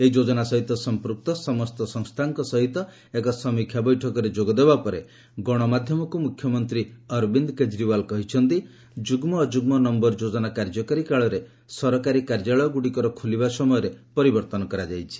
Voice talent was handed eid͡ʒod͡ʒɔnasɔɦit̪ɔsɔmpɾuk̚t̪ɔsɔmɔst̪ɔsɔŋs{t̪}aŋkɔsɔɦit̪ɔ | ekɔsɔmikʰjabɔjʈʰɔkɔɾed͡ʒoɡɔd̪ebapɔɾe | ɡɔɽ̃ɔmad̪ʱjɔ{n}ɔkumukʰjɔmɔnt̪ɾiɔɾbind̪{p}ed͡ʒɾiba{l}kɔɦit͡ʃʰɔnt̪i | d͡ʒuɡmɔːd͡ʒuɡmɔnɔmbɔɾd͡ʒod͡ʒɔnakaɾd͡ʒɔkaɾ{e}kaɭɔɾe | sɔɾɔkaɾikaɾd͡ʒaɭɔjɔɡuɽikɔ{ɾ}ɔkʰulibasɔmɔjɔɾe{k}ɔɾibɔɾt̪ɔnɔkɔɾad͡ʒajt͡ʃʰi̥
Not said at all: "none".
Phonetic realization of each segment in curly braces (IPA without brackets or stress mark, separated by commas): t̪ʰ, m, k, l, i, ɾ, p